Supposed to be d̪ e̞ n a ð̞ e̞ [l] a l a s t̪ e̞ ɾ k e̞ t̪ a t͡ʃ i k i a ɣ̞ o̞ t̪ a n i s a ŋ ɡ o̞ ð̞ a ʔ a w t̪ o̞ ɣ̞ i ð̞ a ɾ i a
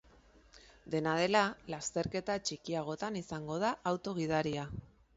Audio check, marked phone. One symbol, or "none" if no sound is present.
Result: l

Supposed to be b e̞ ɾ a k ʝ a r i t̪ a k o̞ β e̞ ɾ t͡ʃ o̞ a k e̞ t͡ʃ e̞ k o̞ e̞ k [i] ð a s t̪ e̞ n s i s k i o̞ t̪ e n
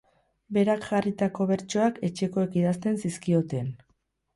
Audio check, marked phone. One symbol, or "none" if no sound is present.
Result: i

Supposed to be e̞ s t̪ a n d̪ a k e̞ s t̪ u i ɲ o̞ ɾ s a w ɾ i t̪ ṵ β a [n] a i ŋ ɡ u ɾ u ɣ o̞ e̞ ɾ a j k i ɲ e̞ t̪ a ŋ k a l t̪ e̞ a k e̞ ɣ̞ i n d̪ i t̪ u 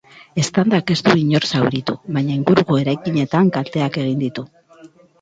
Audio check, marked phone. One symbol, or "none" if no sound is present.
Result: ɲ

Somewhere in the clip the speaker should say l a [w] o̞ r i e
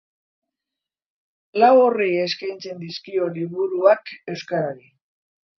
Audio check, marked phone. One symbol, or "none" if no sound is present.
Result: w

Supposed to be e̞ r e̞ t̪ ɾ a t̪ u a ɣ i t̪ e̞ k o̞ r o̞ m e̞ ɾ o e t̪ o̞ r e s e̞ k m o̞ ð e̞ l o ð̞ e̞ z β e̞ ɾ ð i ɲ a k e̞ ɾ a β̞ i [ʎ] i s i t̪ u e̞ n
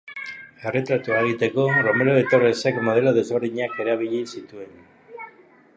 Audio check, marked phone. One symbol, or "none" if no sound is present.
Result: ʎ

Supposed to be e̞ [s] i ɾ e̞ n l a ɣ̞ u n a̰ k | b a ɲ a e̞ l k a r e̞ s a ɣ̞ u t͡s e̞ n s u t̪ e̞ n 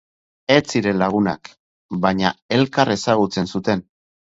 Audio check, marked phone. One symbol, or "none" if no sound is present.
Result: t͡s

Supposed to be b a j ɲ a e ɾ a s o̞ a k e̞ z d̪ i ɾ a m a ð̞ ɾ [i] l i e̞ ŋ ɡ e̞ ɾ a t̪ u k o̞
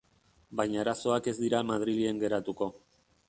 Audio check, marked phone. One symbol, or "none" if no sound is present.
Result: i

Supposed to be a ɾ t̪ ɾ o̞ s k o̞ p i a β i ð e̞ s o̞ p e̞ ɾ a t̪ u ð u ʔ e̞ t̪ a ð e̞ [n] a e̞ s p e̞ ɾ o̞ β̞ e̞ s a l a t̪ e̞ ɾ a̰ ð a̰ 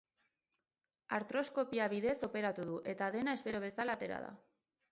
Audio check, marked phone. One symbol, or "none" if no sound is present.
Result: n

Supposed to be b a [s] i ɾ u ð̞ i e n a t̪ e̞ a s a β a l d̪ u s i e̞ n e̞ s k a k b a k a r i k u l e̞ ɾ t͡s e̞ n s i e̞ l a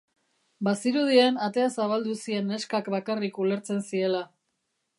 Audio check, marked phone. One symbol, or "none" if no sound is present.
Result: s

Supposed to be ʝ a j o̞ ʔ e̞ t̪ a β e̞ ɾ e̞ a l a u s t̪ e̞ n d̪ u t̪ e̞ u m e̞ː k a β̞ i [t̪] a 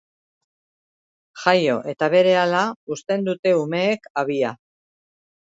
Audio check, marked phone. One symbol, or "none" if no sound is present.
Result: none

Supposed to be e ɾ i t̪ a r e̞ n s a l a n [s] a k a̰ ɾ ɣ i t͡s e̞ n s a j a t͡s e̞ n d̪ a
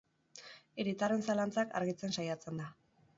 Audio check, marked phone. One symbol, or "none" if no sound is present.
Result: t͡s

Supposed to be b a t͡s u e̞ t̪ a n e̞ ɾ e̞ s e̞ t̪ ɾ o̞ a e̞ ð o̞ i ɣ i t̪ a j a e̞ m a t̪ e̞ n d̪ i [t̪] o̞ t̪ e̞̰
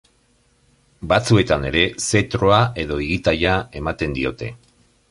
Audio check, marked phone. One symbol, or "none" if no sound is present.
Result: none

